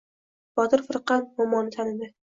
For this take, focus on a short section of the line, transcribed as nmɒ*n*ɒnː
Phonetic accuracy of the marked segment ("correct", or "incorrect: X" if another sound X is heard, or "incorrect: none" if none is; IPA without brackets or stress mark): incorrect: m